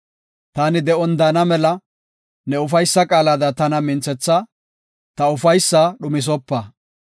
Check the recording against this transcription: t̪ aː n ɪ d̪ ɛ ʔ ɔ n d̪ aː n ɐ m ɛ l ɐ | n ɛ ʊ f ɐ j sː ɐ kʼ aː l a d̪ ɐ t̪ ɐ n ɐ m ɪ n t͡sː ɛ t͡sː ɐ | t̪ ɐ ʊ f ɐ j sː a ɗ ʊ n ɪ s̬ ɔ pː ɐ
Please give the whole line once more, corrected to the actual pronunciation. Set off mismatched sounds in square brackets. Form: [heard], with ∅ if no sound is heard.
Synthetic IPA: t̪ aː n ɪ d̪ ɛ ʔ ɔ n d̪ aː n ɐ m ɛ l ɐ | n ɛ ʊ f ɐ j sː ɐ kʼ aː l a d̪ ɐ t̪ ɐ n ɐ m ɪ n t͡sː ɛ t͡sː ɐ | t̪ ɐ ʊ f ɐ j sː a ɗ ʊ [m] ɪ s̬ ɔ pː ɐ